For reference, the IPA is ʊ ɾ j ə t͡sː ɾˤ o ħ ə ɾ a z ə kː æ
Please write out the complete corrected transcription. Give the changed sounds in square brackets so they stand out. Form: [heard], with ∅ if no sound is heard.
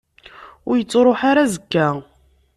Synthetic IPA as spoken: ʊ ɾ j ə t͡sː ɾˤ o ħ [a] ɾ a z ə kː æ